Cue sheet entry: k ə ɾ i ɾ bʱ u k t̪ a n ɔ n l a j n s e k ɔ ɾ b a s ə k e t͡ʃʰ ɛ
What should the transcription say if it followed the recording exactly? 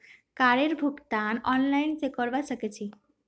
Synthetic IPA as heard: k a ɾ e ɾ bʱ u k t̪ a n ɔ n l a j n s e k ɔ ɾ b a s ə k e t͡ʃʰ i